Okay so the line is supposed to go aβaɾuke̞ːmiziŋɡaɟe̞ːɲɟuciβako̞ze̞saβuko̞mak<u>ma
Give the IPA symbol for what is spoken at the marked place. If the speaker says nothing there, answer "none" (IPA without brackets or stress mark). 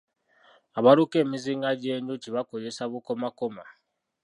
o